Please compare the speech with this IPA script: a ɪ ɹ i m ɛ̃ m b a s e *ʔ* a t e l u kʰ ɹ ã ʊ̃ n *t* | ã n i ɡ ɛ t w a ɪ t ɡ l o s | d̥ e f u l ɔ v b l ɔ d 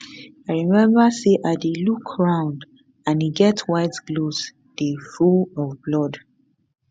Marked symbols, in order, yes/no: yes, no

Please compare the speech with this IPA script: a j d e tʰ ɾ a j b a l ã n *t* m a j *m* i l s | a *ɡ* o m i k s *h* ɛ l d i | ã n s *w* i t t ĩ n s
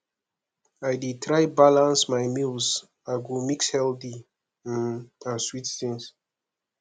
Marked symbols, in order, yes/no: no, yes, yes, yes, yes

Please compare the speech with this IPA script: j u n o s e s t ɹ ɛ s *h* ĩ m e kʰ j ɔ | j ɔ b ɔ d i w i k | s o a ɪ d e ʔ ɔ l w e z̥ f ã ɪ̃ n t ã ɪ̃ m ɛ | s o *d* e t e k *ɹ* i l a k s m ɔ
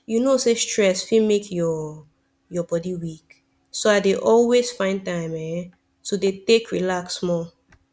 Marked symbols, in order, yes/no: no, yes, yes

